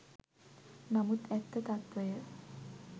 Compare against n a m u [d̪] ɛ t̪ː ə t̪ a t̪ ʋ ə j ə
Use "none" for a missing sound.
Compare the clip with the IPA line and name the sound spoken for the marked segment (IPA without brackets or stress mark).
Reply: t̪